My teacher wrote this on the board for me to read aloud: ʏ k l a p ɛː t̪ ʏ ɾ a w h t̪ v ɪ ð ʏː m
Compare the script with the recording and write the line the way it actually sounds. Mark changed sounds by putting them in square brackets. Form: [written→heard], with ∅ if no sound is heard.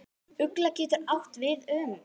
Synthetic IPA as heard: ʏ k l a [p→c] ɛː t̪ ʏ ɾ a w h t̪ v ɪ ð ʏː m

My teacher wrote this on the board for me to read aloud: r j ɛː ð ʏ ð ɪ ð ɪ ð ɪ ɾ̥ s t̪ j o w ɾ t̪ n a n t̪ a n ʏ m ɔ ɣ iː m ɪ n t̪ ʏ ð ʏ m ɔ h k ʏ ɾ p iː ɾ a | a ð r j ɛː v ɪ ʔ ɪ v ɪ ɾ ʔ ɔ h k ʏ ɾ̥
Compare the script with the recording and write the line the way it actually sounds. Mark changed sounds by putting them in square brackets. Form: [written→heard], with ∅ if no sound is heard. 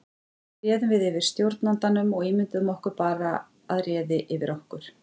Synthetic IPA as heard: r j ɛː ð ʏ [ð→v] ɪ ð ɪ [ð→v] ɪ ɾ̥ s t̪ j o w ɾ t̪ n a n t̪ a n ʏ m ɔ ɣ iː m ɪ n t̪ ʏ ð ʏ m ɔ h k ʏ ɾ p [iː→aː] ɾ a | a ð r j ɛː [v→ð] ɪ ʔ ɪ v ɪ ɾ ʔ ɔ h k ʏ ɾ̥

